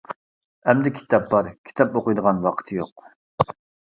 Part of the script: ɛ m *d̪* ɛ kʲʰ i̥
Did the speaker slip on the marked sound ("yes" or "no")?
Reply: no